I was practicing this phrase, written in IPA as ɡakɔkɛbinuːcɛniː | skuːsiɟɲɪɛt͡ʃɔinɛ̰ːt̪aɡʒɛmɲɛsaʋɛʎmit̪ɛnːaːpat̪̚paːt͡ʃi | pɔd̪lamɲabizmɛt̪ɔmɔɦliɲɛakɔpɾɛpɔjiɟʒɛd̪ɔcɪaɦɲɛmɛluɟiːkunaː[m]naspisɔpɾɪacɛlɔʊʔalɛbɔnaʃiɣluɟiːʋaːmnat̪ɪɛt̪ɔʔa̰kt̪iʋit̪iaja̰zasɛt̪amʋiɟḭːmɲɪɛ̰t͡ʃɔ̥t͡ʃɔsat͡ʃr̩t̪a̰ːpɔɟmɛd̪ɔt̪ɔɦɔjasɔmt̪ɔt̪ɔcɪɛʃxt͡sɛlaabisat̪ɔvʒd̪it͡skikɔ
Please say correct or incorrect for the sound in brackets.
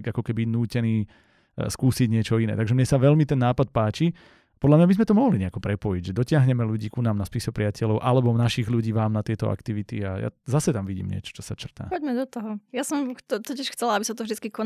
correct